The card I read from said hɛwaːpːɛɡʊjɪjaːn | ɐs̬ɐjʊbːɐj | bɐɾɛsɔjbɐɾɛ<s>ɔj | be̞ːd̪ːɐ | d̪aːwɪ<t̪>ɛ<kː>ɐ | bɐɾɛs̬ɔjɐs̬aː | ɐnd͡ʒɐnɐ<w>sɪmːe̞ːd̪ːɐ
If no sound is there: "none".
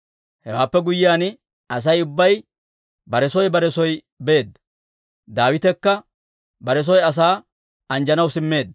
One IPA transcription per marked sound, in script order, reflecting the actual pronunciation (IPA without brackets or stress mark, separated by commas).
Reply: s, t̪, kː, w